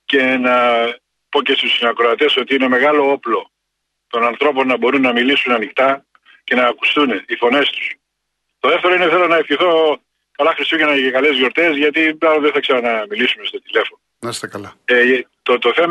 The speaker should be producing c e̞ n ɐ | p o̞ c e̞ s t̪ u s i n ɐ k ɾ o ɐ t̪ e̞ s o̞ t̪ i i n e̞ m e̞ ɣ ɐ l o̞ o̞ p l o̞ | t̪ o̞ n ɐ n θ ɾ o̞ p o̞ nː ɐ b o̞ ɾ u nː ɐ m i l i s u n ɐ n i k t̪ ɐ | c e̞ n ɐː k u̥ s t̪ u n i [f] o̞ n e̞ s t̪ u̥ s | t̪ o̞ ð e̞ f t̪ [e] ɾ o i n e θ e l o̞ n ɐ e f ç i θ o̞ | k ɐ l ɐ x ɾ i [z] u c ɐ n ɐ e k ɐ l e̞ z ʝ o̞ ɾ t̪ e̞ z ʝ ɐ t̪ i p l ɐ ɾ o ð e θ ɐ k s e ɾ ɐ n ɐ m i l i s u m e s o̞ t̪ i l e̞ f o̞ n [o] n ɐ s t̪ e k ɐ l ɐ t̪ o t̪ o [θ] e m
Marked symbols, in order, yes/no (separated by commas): yes, yes, no, yes, yes